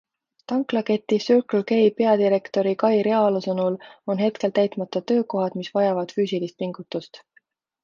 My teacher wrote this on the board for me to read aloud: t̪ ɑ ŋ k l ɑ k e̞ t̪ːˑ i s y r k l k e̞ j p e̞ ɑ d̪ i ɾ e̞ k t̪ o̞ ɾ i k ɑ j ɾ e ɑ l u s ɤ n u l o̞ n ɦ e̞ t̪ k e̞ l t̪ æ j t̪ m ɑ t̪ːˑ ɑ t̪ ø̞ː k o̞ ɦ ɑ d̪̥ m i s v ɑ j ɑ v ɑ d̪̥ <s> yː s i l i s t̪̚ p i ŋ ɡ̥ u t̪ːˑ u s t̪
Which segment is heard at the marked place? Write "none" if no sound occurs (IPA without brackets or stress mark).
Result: f